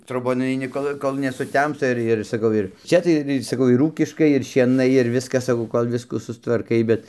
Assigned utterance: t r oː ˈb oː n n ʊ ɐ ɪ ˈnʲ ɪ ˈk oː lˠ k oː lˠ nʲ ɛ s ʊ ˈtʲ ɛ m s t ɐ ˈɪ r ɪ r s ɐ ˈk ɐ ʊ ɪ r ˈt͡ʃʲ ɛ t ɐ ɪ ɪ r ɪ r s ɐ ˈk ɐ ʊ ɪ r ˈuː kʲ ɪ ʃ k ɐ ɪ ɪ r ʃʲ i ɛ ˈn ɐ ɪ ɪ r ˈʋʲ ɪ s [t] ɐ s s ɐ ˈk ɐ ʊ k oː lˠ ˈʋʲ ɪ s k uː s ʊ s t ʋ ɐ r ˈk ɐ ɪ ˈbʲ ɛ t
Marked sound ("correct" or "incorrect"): incorrect